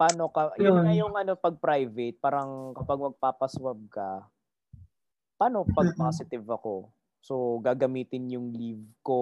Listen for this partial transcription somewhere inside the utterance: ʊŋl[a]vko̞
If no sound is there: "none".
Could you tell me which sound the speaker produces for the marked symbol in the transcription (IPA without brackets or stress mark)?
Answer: i